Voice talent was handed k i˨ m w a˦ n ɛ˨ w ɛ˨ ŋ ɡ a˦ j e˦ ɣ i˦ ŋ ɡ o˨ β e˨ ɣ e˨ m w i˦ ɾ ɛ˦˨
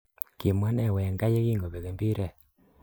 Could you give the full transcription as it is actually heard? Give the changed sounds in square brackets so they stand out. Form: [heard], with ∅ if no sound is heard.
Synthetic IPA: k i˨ m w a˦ n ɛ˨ w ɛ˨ ŋ ɡ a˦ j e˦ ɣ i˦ ŋ ɡ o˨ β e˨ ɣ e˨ m [b] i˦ ɾ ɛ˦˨